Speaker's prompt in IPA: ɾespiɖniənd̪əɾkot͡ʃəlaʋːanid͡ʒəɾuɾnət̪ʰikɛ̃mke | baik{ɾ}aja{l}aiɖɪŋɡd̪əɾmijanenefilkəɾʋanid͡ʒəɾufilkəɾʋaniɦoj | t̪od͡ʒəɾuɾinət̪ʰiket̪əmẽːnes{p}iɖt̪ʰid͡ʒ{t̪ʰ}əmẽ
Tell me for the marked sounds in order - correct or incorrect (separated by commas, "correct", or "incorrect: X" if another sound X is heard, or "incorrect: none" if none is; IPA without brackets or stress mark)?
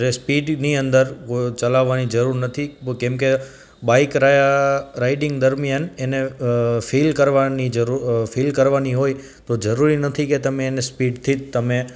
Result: correct, incorrect: ɾ, correct, incorrect: t̪